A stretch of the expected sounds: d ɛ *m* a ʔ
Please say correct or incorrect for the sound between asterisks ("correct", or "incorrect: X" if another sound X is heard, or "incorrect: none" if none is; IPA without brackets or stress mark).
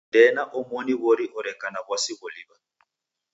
incorrect: n